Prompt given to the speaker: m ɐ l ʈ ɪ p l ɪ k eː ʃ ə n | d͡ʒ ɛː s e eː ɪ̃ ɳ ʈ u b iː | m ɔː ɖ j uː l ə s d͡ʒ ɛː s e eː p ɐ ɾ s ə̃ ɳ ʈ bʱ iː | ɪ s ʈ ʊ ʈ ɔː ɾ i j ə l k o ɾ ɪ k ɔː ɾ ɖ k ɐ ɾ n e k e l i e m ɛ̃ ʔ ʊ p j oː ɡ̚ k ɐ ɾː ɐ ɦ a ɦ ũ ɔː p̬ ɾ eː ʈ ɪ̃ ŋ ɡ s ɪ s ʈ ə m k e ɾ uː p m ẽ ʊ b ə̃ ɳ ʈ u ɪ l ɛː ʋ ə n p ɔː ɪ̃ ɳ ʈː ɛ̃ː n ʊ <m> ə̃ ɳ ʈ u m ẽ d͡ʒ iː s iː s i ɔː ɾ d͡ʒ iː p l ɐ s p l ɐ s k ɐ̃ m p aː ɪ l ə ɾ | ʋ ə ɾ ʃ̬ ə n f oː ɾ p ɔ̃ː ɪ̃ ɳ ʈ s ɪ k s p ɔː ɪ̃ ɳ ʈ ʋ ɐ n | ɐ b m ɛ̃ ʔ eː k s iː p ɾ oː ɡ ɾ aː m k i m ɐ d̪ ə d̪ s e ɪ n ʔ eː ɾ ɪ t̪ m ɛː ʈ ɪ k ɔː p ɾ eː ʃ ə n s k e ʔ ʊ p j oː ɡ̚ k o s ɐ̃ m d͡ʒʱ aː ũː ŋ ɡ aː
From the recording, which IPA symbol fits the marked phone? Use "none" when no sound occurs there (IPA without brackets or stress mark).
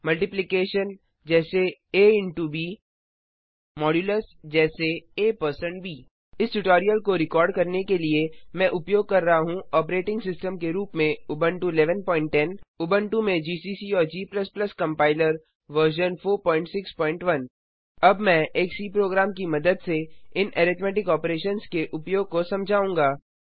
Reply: b